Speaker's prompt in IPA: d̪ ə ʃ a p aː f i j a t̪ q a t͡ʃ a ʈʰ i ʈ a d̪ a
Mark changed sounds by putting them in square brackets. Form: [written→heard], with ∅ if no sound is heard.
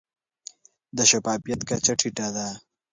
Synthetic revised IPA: d̪ ə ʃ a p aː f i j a t̪ [q→k] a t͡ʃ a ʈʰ i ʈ a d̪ a